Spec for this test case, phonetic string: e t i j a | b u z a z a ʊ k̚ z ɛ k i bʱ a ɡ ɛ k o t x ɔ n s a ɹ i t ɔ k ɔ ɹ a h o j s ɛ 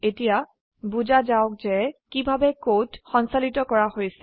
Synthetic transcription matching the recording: e t i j a | b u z a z a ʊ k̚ z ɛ k i bʱ a b ɛ k o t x ɔ n s a l i t ɔ k ɔ ɹ a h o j s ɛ